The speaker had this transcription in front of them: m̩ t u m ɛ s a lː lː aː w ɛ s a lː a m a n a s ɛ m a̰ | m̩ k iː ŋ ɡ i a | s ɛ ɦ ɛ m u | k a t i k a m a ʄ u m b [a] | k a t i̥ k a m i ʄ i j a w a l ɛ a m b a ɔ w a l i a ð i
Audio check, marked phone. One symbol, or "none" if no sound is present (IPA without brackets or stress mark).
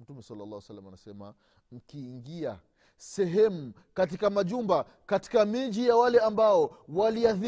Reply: a